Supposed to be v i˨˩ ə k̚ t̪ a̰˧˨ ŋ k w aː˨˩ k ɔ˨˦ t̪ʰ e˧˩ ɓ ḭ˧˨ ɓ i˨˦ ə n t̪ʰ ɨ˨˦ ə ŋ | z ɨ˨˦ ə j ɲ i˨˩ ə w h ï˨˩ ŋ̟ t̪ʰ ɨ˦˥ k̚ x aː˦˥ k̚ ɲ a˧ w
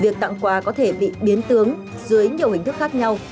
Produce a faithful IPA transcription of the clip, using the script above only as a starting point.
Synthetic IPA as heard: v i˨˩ ə k̚ t̪ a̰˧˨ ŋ k w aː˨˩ k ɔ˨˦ t̪ʰ e˧˩ ɓ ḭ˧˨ ɓ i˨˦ ə n t̪ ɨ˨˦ ə ŋ | z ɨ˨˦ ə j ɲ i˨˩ ə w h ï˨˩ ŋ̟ t̪ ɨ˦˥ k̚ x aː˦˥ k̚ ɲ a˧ w